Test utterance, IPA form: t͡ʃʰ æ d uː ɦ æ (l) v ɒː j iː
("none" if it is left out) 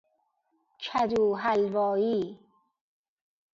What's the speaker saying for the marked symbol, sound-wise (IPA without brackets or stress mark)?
l